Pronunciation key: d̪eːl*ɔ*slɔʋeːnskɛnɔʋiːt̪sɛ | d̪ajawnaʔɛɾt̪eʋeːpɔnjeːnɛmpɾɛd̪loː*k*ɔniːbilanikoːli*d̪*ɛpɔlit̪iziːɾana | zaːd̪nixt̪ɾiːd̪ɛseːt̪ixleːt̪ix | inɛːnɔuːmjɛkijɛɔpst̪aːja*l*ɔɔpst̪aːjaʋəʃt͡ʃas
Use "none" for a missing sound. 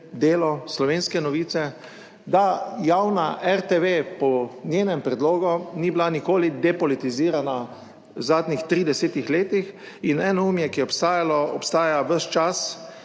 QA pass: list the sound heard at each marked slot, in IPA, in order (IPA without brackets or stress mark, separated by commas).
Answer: ɔ, ɡ, d̪, l